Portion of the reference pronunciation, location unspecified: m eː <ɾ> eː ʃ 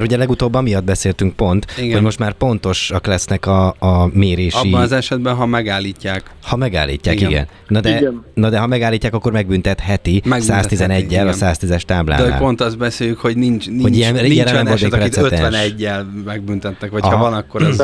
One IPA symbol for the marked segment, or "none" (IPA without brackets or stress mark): ɾ